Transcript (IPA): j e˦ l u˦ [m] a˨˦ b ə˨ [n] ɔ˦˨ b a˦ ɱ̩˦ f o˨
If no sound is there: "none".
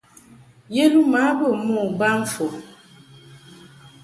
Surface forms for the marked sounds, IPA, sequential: m, m

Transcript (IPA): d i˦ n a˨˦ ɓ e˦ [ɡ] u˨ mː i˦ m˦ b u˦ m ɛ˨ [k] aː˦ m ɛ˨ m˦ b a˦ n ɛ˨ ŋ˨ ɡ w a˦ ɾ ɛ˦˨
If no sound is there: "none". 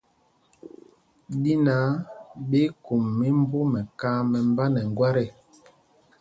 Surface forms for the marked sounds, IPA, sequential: k, k

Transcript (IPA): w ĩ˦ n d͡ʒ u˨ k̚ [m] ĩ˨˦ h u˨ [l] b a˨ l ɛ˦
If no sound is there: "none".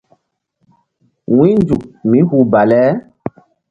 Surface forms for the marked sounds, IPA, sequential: m, none

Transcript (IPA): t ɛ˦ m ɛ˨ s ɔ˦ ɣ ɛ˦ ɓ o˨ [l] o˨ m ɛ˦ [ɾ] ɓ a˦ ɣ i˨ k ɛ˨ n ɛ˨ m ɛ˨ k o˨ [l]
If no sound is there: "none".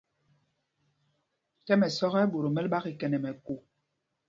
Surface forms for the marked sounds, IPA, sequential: ɾ, l, none

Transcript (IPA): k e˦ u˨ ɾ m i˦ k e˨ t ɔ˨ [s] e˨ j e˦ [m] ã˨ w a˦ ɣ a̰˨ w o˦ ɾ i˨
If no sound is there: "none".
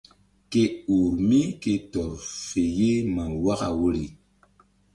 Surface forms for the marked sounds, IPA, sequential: f, m

